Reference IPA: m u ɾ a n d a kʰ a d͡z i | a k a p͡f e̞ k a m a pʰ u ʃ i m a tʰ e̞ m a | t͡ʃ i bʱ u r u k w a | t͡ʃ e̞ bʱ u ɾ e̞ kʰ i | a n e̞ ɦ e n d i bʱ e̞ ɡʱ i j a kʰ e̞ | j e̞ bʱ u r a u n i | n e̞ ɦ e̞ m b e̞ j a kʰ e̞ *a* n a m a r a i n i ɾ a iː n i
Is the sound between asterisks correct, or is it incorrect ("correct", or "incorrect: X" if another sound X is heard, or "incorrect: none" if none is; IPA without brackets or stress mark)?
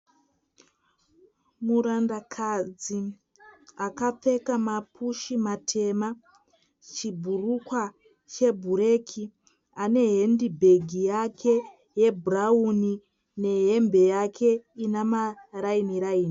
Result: incorrect: i